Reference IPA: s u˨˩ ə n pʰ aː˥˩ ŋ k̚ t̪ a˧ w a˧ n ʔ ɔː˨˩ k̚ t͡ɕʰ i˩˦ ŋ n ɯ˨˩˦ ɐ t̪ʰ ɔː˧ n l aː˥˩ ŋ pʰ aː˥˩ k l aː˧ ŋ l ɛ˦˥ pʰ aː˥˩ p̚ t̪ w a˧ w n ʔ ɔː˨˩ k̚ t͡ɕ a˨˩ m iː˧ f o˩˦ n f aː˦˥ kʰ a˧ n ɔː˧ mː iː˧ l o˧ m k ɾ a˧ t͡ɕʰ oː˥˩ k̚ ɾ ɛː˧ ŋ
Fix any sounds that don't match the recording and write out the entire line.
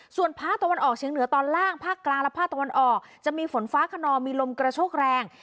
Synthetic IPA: s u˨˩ ə n pʰ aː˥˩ k̚ t̪ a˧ w a˧ n ʔ ɔː˨˩ k̚ t͡ɕʰ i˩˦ ŋ n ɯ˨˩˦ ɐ t̪ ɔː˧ n l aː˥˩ ŋ pʰ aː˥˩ k l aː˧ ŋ l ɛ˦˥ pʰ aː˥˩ k̚ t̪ w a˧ n ʔ ɔː˨˩ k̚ t͡ɕ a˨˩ m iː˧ f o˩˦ n f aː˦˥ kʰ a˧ n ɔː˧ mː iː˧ l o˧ m k ɾ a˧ t͡ɕʰ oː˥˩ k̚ ɾ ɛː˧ ŋ